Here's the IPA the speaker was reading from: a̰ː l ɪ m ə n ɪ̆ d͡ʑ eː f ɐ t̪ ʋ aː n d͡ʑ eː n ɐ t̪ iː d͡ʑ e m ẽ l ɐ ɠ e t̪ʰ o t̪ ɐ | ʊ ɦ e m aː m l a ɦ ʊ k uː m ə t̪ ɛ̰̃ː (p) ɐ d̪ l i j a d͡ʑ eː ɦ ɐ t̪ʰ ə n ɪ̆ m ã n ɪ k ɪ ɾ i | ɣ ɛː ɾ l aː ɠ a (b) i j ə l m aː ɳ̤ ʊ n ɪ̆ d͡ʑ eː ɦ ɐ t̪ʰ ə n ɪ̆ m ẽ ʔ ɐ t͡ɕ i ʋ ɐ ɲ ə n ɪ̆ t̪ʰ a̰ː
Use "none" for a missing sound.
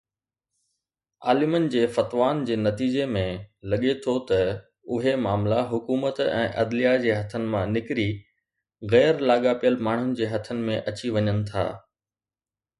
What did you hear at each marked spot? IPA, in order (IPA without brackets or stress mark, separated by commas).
ʔ, p